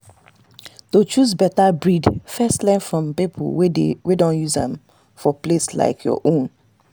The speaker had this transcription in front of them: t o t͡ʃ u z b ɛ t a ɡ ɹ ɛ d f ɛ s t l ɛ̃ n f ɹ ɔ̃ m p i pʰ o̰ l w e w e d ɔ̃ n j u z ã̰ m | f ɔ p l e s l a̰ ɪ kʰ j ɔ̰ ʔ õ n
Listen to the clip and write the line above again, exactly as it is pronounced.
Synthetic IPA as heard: t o t͡ʃ u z b ɛ t a b ɹ i d f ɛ s t l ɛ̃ n f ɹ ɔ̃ m p i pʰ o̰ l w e w e d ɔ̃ n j u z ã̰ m | f ɔ p l e s l a̰ ɪ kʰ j ɔ̰ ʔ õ n